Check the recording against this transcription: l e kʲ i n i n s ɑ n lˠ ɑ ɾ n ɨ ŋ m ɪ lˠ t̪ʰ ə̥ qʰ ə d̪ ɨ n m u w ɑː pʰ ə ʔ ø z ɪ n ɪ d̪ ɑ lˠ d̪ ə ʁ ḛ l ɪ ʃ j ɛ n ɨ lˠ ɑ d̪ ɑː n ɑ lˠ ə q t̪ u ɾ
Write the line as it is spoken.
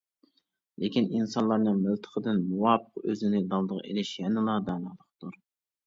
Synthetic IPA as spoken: l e kʲ i n i n s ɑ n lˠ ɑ ɾ n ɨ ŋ m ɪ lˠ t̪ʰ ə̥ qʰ ə d̪ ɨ n m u w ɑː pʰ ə q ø z ɪ n ɪ d̪ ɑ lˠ d̪ ə ʁ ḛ l ɪ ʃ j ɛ n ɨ lˠ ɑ d̪ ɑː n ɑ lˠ ə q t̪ u ɾ